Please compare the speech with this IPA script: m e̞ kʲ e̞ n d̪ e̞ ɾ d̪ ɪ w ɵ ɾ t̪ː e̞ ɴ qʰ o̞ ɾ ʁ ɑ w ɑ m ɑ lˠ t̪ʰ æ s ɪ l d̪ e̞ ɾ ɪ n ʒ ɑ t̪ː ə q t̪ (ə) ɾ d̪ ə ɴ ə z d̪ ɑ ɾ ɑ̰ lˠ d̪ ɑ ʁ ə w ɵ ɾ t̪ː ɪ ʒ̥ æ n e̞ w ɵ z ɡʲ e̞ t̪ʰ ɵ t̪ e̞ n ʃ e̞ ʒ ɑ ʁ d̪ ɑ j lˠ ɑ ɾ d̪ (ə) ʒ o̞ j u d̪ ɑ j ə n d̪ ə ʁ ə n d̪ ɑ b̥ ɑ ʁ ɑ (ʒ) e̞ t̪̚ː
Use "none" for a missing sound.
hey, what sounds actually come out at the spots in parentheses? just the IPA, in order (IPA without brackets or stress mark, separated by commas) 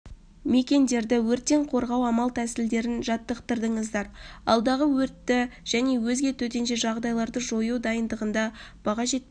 ə, ə, ʒ